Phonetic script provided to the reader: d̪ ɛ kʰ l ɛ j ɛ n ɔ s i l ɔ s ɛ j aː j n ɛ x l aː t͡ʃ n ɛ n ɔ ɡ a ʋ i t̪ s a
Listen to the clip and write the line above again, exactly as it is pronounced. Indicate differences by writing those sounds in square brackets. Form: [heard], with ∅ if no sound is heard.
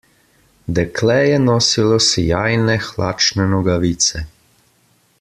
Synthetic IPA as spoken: d̪ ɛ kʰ l ɛ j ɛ n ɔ s i l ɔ s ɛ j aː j n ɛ x l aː t͡ʃ n ɛ n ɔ ɡ a ʋ i t̪ s [ɛ]